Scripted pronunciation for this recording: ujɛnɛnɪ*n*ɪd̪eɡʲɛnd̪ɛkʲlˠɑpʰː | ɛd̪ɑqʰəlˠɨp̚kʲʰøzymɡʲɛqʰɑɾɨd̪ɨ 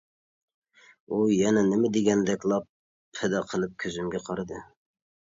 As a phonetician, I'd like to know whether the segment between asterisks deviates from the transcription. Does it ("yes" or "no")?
yes